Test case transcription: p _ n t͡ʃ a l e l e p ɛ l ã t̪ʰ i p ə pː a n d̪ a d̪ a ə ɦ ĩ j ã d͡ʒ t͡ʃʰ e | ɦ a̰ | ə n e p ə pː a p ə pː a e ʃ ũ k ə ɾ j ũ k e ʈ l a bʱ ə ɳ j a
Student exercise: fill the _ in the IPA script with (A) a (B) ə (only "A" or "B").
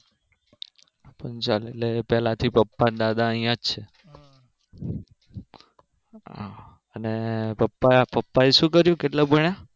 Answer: B